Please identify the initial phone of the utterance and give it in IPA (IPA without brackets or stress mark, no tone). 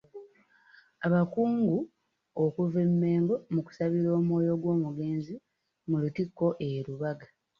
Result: a